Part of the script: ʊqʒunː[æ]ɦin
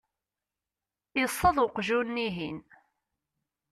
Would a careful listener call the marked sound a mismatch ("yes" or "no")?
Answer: yes